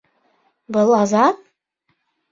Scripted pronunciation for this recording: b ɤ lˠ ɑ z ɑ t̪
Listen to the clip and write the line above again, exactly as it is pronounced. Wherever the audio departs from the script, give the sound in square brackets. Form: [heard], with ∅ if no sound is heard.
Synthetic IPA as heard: b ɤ lˠ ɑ z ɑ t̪